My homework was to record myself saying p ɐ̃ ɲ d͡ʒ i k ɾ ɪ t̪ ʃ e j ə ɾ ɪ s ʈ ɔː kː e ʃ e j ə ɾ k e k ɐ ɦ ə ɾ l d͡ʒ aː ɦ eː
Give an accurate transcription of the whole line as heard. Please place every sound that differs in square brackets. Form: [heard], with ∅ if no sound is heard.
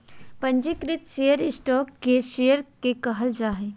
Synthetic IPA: p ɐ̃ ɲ d͡ʒ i k ɾ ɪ t̪ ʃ e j ə ɾ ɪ s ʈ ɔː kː e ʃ e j ə ɾ k e k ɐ ɦ ə [∅] l d͡ʒ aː ɦ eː